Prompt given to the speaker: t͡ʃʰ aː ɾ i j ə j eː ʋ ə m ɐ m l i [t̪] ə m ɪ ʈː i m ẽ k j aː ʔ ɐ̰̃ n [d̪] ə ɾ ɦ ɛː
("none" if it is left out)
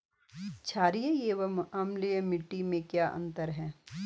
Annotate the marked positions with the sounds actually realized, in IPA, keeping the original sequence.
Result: none, t̪

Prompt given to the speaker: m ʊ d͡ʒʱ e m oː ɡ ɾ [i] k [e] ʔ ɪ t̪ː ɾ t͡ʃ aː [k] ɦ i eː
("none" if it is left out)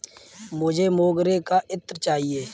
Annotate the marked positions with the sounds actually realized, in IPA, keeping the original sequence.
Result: e, a, none

